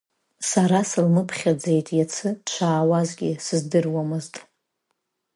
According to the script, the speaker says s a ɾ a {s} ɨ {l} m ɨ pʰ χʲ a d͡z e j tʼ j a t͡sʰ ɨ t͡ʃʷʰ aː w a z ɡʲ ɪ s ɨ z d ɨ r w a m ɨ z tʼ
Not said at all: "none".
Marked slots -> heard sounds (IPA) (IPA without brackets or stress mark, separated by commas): s, l